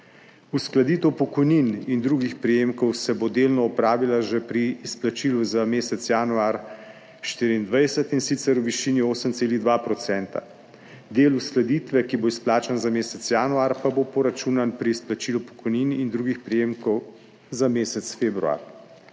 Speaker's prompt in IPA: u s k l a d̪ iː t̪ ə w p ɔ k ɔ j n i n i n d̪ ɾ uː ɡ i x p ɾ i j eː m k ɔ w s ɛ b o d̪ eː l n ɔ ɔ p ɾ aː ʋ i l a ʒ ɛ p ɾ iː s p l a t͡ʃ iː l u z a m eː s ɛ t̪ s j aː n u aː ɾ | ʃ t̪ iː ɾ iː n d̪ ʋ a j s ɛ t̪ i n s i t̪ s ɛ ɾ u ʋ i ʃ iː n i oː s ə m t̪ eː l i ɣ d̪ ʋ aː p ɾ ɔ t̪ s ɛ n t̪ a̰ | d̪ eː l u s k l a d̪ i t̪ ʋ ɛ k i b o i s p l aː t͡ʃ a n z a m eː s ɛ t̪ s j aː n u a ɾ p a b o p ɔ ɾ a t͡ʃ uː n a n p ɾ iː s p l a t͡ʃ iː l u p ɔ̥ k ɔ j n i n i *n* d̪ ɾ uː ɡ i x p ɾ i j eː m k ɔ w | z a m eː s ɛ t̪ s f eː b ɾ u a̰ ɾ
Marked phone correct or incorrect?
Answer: correct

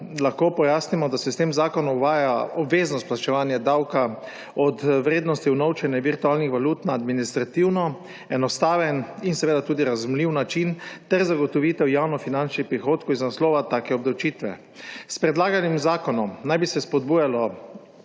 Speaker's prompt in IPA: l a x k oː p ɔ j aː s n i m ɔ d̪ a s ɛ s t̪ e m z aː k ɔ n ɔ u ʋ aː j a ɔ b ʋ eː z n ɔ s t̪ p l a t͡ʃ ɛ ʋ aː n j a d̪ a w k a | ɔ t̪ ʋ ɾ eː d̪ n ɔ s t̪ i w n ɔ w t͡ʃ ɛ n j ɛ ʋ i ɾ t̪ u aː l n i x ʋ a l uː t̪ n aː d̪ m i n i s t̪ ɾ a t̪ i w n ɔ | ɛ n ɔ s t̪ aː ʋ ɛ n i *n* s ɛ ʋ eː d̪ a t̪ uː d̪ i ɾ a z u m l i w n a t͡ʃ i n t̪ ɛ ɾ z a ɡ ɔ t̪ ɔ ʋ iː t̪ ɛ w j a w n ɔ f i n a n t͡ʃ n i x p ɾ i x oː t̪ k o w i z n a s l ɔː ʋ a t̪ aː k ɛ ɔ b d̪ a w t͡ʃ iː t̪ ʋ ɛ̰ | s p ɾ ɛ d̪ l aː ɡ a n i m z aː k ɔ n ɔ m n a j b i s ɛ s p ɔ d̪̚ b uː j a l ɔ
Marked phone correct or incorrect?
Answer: correct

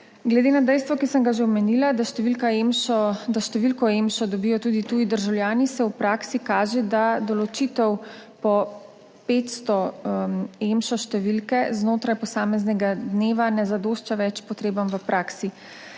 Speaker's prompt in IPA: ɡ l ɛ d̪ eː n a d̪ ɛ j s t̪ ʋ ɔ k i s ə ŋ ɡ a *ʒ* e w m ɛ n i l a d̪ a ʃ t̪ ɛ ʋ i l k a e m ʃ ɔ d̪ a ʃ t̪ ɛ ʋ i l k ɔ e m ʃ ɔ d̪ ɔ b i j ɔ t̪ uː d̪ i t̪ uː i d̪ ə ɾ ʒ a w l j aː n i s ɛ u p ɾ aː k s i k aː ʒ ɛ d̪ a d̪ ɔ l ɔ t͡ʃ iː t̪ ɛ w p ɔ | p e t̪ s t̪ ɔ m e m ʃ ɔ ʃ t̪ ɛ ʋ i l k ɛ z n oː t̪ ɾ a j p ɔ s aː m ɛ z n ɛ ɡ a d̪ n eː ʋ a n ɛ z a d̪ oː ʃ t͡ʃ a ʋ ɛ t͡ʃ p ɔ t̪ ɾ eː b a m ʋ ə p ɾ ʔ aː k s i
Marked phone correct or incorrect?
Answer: correct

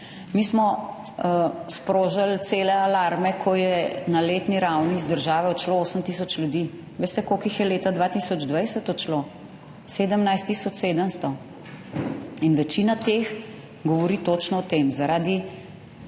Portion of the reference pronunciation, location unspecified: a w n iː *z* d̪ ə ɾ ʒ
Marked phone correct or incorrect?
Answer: correct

